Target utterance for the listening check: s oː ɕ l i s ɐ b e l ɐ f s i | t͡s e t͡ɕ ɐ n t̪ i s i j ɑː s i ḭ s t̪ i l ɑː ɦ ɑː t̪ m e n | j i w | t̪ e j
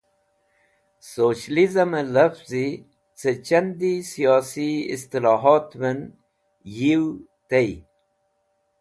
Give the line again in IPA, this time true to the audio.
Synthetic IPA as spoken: s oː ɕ l i z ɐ m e l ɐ f z i | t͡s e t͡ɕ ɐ n d̪ i s i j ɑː s i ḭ s t̪ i l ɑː ɦ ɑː t̪ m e n | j i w | t̪ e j

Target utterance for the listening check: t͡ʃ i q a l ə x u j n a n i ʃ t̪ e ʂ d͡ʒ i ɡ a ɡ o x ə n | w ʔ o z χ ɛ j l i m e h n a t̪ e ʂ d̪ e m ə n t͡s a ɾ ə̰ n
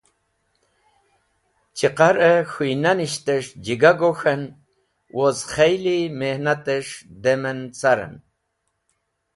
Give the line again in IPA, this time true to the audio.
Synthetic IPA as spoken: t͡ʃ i q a ɾ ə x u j n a n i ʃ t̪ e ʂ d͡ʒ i ɡ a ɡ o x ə n | w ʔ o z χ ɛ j l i m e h n a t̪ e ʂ d̪ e m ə n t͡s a ɾ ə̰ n

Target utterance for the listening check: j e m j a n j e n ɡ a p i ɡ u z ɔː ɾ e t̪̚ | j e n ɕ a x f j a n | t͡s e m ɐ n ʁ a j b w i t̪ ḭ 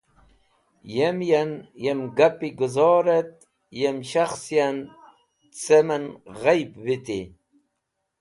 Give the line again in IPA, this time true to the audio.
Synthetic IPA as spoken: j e m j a n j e m ɡ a p i ɡ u z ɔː ɾ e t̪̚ | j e m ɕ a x s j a n | t͡s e m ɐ n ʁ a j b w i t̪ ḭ

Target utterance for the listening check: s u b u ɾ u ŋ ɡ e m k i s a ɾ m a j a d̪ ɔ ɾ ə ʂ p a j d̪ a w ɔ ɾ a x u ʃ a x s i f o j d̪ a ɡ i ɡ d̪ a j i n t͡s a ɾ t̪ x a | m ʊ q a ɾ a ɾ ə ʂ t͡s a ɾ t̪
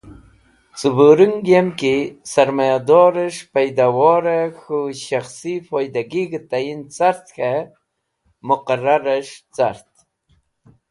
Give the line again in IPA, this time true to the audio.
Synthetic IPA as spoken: t͡s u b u ɾ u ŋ ɡ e m k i s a ɾ m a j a d̪ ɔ ɾ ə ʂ p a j d̪ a w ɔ ɾ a x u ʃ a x s i f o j d̪ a ɡ i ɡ t̪ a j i n t͡s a ɾ t̪ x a | m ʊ q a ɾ a ɾ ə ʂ t͡s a ɾ t̪

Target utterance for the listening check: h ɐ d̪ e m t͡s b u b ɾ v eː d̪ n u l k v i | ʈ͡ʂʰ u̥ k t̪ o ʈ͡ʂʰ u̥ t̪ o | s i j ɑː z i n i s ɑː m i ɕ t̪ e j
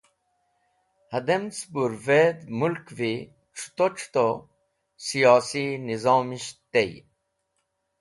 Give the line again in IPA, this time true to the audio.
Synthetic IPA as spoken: h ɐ d̪ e m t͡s b u ɾ v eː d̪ m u l k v i | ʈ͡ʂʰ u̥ t̪ o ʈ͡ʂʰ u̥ t̪ o | s i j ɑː s i n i z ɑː m i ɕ t̪ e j

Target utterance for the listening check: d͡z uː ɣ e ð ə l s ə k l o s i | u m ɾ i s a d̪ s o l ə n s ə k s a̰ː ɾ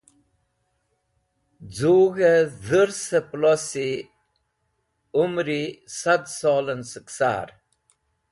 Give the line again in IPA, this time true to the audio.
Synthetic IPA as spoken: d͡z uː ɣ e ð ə ɾ s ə p l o s i | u m ɾ i s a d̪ s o l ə n s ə k s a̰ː ɾ

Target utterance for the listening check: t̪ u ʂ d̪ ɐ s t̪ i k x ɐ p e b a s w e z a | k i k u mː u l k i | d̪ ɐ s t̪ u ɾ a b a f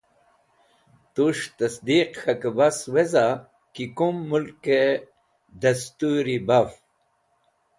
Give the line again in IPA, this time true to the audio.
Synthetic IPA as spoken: t̪ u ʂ t̪ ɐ s d̪ i q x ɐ k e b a s w e z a | k i k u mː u l k e | d̪ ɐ s t̪ u ɾ i b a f

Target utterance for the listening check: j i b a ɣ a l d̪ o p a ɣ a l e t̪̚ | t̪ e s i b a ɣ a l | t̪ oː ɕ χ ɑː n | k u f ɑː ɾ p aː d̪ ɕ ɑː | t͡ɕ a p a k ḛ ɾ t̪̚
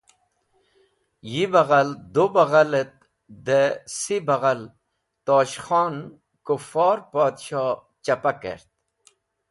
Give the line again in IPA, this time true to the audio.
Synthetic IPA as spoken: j i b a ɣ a l d̪ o b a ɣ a l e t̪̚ | d̪ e s i b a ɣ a l | t̪ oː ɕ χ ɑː n | k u f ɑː ɾ p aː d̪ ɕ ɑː | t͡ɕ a p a k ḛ ɾ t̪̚

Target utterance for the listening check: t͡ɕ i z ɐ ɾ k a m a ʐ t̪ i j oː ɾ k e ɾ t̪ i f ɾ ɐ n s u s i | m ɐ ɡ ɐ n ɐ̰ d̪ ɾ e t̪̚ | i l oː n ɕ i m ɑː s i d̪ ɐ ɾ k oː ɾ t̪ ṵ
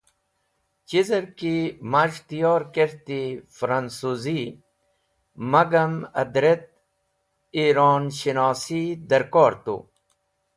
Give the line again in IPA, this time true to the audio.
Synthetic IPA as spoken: t͡ɕ i z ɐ ɾ k i m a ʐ t̪ i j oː ɾ k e ɾ t̪ i f ɾ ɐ n s u z i | m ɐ ɡ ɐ m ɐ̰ d̪ ɾ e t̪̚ | i ɾ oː n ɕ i n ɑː s i d̪ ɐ ɾ k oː ɾ t̪ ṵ

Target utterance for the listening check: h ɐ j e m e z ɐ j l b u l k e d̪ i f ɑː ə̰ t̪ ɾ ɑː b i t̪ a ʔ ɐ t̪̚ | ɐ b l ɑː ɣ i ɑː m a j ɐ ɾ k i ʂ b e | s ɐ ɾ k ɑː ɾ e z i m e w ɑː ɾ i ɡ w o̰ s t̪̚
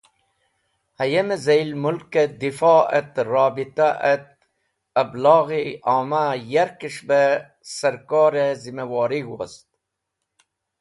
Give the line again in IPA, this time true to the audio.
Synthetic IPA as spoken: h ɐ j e m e z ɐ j l m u l k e d̪ i f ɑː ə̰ t̪ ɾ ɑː b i t̪ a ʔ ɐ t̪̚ | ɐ b l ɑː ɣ i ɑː m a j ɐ ɾ k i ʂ b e | s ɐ ɾ k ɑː ɾ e z i m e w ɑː ɾ i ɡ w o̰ s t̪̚

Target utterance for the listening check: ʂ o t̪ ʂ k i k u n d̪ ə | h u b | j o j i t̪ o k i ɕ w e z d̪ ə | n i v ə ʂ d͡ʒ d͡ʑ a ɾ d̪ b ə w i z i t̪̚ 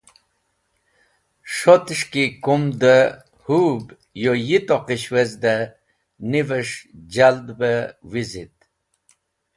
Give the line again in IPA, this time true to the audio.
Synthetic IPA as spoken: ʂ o t̪ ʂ k i k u m d̪ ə | h u b | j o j i t̪ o q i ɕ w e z d̪ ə | n i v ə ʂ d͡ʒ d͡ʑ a l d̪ b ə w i z i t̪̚

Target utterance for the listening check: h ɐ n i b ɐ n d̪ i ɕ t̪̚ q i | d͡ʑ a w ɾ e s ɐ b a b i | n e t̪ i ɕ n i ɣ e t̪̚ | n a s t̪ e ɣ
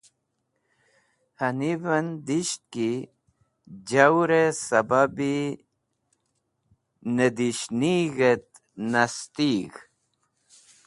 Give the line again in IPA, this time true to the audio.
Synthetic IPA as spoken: h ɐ n i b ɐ n d̪ i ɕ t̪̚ k i | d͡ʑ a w ɾ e s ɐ b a b i | n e d̪ i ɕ n i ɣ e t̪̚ | n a s t̪ i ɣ

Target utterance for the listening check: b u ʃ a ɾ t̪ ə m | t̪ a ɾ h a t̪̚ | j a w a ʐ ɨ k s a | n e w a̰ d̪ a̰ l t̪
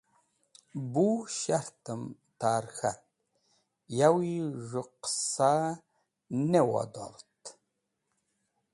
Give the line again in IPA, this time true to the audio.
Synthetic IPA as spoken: b u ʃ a ɾ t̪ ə m | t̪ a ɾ x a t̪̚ | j a w i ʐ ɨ q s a | n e w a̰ d̪ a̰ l t̪

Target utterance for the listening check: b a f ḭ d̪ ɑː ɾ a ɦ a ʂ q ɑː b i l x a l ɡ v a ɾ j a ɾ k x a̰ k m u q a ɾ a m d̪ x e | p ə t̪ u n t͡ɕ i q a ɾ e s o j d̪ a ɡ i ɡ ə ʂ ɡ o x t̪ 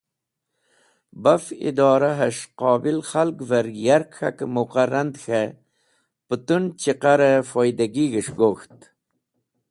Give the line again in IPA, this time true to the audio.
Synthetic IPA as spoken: b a f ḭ d̪ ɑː ɾ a ɦ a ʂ q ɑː b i l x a l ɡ v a ɾ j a ɾ k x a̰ k m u q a ɾ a n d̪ x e | p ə t̪ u n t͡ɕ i q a ɾ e f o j d̪ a ɡ i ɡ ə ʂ ɡ o x t̪

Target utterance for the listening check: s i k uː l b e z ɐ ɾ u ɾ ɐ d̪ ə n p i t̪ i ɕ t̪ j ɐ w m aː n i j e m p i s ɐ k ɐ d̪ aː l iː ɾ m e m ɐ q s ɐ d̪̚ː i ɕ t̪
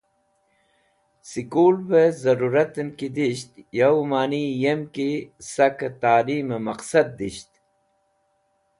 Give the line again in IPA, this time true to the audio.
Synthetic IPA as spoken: s i k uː l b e z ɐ ɾ u ɾ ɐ t̪ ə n k i d̪ i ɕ t̪ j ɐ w m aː n i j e m k i s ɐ k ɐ t̪ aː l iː m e m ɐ q s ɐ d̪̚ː i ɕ t̪

